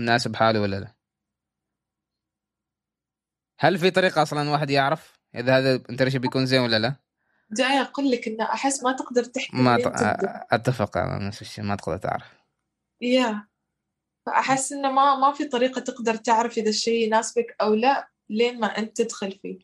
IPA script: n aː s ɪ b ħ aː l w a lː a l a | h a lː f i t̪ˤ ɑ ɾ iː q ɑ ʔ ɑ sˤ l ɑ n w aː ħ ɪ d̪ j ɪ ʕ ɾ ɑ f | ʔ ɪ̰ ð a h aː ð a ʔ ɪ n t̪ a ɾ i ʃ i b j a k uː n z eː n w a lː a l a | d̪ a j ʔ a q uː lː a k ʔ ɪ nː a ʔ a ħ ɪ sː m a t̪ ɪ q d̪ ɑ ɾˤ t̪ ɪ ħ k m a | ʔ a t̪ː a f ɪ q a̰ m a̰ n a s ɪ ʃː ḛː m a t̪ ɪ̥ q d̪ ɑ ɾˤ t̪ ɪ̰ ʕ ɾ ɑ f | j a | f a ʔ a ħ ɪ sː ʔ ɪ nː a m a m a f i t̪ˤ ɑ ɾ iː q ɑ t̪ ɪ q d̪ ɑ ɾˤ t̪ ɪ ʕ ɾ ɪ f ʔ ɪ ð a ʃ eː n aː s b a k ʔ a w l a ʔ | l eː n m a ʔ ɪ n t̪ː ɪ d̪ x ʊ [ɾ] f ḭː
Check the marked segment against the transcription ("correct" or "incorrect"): incorrect